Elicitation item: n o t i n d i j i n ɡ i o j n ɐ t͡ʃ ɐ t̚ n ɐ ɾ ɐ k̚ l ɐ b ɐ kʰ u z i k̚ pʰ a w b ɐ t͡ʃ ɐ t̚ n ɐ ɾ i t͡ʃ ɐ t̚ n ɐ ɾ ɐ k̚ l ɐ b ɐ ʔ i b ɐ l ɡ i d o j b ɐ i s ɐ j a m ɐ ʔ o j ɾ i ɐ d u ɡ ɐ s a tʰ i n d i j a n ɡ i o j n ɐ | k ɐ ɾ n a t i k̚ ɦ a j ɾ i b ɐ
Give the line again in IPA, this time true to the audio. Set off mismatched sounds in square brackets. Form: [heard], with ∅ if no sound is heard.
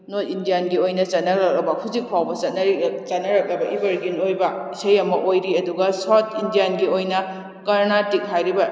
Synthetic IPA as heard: n o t i n d i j [a] n ɡ i o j n ɐ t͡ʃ ɐ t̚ n ɐ ɾ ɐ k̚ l ɐ b ɐ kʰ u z i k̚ pʰ a w b ɐ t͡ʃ ɐ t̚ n ɐ ɾ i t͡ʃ ɐ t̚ n ɐ ɾ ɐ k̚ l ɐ b ɐ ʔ i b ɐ [ɾ] ɡ i [n] o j b ɐ i s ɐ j [ɐ] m ɐ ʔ o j ɾ i ɐ d u ɡ ɐ s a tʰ i n d i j a n ɡ i o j n ɐ | k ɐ ɾ n a t i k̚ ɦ a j ɾ i b ɐ